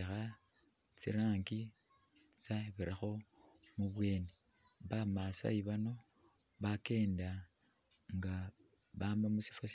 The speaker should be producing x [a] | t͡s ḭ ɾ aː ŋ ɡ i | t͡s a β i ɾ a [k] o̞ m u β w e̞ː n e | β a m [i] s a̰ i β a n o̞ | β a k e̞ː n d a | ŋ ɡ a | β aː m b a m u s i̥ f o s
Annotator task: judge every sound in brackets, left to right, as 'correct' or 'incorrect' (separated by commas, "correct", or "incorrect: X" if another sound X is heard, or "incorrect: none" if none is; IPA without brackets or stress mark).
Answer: correct, incorrect: x, incorrect: a